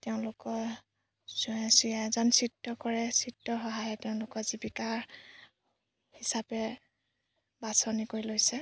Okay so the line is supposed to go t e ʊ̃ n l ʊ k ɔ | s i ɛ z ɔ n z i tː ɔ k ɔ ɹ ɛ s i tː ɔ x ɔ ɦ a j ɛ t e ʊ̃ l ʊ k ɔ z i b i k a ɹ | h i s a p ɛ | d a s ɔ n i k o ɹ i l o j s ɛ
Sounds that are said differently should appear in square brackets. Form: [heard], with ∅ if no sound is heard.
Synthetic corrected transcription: t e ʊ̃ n l ʊ k ɔ | s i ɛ z ɔ n [s] i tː ɔ k ɔ ɹ ɛ s i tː ɔ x ɔ ɦ a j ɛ t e ʊ̃ l ʊ k ɔ z i b i k a ɹ | h i s a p ɛ | [b] a s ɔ n i k o ɹ i l o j s ɛ